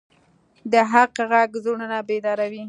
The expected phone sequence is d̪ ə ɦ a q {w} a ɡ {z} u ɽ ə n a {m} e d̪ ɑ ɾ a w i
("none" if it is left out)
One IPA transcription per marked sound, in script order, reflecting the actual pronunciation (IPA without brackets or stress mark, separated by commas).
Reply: ɣ, z, b